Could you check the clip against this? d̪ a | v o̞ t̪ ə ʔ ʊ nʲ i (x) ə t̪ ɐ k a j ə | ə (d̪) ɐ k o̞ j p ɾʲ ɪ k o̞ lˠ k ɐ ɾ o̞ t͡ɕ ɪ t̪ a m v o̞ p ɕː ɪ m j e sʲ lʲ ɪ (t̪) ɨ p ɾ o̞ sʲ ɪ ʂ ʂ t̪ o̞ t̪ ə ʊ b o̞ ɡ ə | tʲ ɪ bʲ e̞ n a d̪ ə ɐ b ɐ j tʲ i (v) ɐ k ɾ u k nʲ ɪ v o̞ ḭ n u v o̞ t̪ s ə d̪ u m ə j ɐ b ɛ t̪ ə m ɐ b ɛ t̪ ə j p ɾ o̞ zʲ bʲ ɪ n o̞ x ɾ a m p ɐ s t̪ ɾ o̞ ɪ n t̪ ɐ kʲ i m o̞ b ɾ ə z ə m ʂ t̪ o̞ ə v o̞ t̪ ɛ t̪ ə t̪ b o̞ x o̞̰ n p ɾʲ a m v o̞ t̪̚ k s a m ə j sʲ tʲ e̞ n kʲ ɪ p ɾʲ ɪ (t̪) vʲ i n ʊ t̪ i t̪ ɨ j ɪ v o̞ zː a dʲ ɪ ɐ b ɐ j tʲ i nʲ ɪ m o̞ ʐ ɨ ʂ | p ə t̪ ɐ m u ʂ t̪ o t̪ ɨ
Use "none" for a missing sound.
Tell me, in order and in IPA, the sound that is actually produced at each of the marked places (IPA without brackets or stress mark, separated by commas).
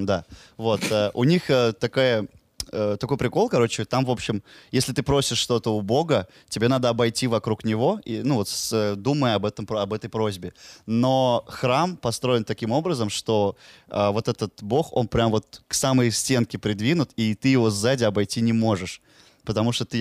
x, t̪, t̪, v, d̪